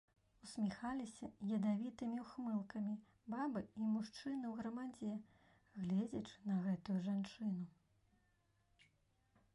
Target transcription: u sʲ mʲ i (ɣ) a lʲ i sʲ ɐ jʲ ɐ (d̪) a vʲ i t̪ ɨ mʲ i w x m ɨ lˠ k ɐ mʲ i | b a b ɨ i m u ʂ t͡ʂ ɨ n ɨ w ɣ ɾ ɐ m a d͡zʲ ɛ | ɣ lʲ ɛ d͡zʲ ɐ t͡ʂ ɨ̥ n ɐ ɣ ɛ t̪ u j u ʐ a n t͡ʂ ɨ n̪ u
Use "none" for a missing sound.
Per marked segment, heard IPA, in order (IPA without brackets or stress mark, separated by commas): x, d̪